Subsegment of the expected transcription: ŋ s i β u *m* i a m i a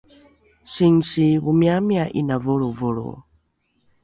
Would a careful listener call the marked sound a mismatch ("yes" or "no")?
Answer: no